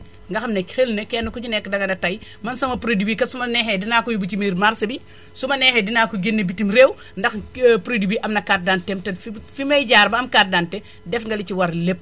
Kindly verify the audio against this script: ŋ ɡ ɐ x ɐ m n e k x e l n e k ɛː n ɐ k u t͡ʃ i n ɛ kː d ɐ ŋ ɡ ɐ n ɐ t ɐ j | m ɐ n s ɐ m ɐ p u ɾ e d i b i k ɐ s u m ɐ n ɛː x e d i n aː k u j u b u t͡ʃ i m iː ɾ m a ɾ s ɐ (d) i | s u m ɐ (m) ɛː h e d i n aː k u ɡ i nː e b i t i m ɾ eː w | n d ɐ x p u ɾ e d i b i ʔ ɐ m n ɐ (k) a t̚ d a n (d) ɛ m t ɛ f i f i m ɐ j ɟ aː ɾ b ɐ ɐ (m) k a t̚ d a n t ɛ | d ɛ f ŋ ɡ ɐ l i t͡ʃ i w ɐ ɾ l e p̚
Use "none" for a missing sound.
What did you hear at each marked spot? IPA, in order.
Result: b, n, k, t, m

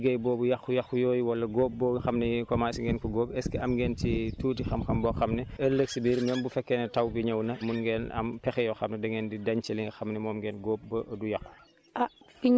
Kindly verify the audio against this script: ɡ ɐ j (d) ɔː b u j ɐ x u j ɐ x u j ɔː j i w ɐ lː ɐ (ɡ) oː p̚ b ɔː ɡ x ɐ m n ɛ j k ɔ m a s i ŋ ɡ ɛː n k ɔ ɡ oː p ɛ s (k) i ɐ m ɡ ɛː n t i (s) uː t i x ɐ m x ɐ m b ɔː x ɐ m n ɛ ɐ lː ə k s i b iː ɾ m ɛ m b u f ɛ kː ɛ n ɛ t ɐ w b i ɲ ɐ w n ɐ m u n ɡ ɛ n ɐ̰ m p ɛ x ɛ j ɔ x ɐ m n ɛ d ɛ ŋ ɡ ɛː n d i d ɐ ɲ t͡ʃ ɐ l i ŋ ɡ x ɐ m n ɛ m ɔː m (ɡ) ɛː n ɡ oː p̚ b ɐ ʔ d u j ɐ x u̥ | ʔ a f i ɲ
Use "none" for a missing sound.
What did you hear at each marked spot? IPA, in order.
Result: b, ɡ, k, t, ɡ

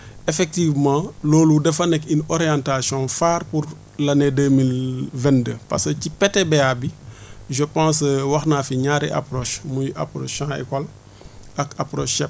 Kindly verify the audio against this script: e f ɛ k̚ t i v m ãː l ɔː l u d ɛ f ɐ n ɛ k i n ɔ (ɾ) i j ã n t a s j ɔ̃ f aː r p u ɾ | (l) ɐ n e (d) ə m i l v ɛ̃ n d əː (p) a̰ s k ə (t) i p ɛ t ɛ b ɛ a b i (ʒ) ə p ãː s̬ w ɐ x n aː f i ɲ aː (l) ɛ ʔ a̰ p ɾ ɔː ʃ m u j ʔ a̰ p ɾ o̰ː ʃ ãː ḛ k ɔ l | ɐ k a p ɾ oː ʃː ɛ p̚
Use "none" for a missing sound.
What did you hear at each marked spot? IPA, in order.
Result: ɾ, l, d, p, c, ʒ, ɾ

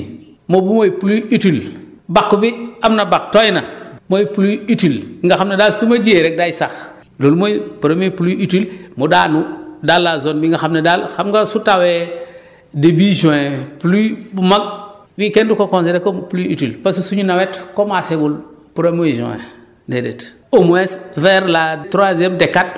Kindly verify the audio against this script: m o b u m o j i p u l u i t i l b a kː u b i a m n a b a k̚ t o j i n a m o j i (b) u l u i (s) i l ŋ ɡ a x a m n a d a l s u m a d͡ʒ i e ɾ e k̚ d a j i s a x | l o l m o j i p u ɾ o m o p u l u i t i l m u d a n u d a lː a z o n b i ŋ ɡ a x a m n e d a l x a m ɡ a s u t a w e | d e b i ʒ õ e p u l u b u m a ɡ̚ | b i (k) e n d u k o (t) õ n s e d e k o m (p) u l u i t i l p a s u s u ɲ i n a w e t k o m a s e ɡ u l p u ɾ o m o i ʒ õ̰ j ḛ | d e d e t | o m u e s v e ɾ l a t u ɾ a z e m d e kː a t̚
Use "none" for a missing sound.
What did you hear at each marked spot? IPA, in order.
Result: p, t, k, k, p

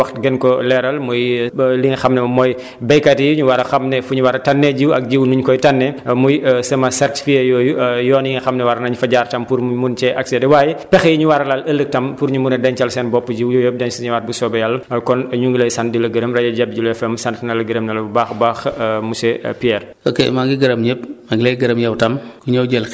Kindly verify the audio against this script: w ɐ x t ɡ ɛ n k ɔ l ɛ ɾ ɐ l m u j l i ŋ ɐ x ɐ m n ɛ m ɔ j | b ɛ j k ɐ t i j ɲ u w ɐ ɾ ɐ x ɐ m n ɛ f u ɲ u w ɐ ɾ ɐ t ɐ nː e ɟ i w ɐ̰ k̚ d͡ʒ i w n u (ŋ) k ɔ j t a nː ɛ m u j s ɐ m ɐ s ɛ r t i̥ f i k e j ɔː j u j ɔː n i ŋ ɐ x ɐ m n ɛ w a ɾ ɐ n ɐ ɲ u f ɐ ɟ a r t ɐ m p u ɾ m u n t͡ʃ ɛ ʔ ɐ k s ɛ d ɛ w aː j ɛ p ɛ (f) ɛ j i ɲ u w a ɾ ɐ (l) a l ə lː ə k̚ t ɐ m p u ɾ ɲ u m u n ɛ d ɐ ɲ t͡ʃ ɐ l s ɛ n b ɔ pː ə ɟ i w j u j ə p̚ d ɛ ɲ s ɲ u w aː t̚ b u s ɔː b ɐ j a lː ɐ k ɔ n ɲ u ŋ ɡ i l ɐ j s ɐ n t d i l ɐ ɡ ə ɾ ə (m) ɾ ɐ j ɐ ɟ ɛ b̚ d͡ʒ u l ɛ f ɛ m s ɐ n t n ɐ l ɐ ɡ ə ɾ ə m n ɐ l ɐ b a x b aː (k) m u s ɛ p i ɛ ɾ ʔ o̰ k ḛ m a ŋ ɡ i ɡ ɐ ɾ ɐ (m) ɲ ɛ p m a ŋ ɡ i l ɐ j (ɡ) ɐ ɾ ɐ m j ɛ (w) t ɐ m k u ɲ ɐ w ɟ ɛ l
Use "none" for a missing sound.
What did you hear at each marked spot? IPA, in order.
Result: ɲ, x, l, m, x, m, ɡ, w

